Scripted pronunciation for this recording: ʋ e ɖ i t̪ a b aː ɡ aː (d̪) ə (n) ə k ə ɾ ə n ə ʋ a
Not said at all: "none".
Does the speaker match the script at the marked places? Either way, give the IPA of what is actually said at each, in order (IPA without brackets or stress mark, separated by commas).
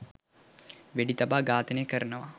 t̪, n